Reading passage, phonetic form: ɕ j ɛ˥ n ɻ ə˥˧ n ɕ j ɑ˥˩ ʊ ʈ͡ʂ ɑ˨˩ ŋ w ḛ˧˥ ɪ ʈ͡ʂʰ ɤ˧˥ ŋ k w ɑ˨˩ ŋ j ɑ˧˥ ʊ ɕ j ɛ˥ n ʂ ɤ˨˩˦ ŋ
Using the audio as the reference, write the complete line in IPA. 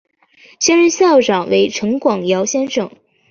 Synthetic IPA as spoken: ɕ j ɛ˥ n ɻ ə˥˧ n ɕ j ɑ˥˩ ʊ ʈ͡ʂ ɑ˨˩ ŋ w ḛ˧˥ ɪ ʈ͡ʂʰ ɤ˧˥ ŋ k w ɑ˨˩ ŋ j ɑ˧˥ ʊ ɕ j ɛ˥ n ʂ ɤ˨˩˦ ŋ